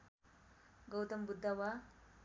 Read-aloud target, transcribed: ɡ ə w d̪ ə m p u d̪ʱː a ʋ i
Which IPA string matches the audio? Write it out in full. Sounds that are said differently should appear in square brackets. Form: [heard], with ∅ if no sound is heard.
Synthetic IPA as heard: ɡ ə w [t̪] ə m [b] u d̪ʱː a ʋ [a]

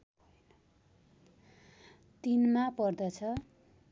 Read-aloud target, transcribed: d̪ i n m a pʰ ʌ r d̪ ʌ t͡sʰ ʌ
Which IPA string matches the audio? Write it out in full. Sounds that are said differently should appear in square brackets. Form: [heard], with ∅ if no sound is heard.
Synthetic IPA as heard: [t̪] i n m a [p] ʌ r d̪ ʌ t͡sʰ ʌ

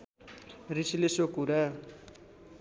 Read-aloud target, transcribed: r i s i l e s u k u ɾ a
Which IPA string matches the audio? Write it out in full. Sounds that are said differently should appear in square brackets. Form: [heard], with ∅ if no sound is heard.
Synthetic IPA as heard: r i s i l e s [o] k u ɾ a

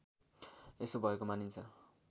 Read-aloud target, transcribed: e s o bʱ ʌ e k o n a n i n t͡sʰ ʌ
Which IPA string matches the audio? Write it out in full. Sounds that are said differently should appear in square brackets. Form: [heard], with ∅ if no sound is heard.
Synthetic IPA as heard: e s o bʱ ʌ e k o [m] a n i n t͡sʰ ʌ

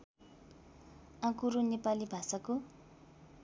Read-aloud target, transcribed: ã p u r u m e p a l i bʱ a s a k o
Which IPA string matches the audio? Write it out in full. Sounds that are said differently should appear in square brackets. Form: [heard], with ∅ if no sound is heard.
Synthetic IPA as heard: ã [k] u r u [n] e p a l i bʱ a s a k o

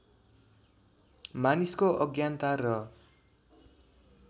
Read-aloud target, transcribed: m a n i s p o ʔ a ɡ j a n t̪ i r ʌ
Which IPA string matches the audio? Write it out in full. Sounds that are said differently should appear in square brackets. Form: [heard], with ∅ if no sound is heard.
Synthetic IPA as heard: m a n i s [k] o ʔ [ʌ] ɡ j a n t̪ [a] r ʌ

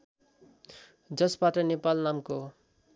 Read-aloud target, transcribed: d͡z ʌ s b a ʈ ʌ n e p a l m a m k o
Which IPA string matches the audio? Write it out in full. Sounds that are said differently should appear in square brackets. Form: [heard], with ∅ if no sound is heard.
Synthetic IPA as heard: d͡z ʌ s b a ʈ ʌ n e p a l [n] a m k o

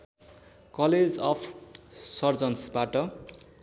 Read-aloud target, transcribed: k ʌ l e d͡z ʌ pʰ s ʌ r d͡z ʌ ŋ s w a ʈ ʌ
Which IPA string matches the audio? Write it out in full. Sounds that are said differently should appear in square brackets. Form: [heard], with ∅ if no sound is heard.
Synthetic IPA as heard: k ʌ l e d͡z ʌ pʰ s ʌ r d͡z ʌ [n] s [b] a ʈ ʌ

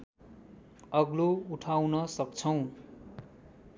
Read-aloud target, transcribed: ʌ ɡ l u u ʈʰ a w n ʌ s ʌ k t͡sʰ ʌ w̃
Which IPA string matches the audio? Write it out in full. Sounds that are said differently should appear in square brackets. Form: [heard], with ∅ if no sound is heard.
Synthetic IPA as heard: ʌ ɡ l [o] u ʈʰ a w n ʌ s ʌ k t͡sʰ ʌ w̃

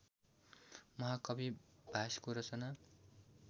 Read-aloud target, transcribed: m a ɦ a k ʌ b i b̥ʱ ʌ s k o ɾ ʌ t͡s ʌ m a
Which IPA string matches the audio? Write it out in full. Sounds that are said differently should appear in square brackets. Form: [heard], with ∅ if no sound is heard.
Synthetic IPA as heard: m [ʌ] ɦ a k ʌ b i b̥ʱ [a] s k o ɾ ʌ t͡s ʌ [n] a

